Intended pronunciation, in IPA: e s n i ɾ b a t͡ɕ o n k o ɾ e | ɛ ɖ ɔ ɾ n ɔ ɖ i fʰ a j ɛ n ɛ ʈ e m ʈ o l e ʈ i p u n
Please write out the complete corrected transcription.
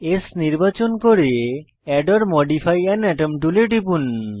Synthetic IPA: e s n i ɾ b a t͡ɕ o n k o ɾ e | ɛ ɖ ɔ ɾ m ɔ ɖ i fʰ a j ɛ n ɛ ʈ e m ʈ u l e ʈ i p u n